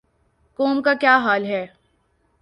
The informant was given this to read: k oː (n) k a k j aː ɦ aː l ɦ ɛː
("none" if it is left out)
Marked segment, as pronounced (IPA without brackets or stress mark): m